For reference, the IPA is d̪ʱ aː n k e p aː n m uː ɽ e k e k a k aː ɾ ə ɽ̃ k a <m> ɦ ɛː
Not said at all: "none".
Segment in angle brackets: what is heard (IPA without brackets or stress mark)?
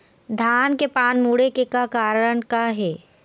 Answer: none